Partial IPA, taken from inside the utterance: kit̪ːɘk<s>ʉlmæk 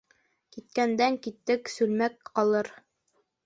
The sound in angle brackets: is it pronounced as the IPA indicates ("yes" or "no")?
yes